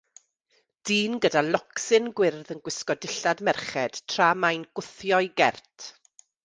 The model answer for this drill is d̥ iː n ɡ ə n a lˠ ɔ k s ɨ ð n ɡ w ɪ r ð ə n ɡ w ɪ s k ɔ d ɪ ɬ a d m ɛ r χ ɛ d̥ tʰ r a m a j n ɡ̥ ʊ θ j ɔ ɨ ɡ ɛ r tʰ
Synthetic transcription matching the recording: d̥ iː n ɡ ə d a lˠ ɔ k s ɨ n ɡ w ɪ r ð ə n ɡ w ɪ s k ɔ d ɪ ɬ a d m ɛ r χ ɛ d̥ tʰ r a m a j n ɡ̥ ʊ θ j ɔ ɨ ɡ ɛ r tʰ